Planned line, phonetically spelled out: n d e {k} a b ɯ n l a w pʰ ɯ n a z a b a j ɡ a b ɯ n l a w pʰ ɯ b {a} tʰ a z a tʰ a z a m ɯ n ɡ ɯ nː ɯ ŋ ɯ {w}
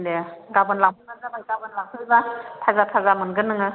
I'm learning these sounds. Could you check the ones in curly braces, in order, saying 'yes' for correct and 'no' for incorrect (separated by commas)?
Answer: no, yes, no